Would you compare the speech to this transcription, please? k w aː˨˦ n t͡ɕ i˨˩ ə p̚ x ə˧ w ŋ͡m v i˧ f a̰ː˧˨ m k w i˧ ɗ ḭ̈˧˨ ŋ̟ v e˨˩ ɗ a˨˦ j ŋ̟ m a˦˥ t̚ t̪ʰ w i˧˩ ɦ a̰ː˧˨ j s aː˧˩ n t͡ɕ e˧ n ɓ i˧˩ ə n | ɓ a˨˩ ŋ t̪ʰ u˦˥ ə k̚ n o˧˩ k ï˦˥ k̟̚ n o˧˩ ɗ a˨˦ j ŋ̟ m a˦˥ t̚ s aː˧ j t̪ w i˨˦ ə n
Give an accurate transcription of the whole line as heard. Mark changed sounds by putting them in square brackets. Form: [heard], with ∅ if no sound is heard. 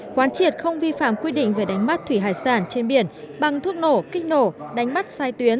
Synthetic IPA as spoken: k w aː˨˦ n t͡ɕ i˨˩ ə [t̚] x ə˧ w ŋ͡m v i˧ f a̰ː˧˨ m k w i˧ ɗ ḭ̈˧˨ ŋ̟ v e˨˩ ɗ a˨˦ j ŋ̟ m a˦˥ t̚ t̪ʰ w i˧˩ ɦ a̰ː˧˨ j s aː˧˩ n t͡ɕ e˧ n ɓ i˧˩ ə n | ɓ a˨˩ ŋ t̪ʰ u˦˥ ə k̚ n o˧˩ k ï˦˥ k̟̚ n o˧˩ ɗ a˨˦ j ŋ̟ m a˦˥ t̚ s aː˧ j t̪ w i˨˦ ə n